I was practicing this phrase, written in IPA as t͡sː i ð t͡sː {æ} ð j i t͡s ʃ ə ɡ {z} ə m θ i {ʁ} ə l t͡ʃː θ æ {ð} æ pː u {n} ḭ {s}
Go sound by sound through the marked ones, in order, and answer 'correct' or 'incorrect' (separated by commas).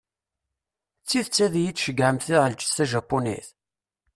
correct, incorrect, correct, incorrect, correct, incorrect